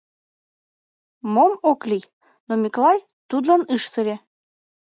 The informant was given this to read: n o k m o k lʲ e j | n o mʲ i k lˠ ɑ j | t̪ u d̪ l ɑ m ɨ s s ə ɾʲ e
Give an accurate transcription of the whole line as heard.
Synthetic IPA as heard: m o m o k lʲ i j | n o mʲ i k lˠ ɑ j | t̪ u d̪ l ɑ n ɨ ʃ s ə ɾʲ e